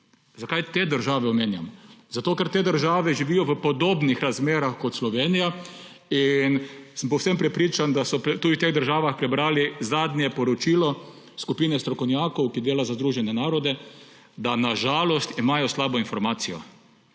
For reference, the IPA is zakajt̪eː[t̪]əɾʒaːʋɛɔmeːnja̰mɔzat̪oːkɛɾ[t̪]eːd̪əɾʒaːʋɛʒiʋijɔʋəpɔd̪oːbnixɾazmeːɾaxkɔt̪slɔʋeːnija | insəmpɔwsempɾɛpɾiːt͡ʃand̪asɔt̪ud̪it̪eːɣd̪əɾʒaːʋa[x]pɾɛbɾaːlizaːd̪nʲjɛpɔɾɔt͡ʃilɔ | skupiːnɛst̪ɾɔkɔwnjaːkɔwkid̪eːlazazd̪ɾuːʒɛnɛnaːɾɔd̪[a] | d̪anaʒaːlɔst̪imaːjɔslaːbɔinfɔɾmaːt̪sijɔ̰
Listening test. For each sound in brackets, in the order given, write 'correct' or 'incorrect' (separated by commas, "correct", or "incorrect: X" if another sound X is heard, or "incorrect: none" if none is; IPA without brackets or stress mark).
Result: incorrect: d̪, correct, correct, incorrect: ɛ